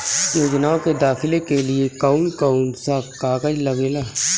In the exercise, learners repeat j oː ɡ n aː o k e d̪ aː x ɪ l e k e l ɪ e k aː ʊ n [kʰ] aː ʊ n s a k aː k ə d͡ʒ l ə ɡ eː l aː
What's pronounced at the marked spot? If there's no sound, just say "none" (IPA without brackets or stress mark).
k